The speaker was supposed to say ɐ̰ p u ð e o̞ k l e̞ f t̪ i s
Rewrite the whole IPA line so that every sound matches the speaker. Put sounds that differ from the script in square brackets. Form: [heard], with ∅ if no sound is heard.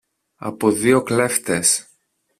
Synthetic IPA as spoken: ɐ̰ p [o] ð [i] o̞ k l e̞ f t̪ [e] s